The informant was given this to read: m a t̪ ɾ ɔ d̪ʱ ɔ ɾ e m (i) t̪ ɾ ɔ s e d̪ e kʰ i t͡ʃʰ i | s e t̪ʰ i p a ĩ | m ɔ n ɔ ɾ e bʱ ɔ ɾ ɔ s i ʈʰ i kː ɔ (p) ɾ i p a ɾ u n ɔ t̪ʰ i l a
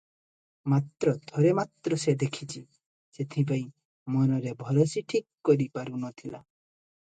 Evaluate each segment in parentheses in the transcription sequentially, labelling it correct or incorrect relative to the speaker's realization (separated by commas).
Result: incorrect, incorrect